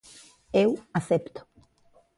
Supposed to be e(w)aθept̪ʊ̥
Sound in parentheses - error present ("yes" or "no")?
no